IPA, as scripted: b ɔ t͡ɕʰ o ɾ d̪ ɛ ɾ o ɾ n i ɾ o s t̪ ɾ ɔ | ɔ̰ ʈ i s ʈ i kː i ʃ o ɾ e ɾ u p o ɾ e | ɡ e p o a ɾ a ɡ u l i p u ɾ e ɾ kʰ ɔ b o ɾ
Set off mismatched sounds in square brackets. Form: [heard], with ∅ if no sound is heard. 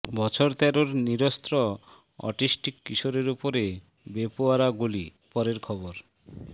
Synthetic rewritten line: b ɔ t͡ɕʰ o ɾ [t̪] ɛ ɾ o ɾ n i ɾ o s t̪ ɾ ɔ | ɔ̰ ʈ i s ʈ i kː i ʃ o ɾ e ɾ u p o ɾ e | [b] e p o a ɾ a ɡ u l i p [ɔ] ɾ e ɾ kʰ ɔ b o ɾ